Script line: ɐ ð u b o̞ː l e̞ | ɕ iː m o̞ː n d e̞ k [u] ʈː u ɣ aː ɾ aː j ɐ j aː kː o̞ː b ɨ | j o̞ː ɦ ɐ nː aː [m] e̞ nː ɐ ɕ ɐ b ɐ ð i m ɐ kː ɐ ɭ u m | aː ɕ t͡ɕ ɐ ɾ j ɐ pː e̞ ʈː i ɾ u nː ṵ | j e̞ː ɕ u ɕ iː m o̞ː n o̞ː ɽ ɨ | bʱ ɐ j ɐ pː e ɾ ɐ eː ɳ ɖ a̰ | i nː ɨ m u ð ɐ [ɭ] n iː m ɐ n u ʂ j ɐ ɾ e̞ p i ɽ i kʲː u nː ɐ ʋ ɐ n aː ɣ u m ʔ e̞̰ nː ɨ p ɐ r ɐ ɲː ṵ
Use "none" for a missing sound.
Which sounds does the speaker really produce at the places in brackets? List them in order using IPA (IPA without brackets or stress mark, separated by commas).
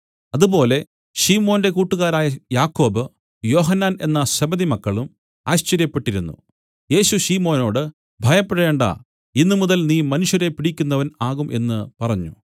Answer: uː, n, l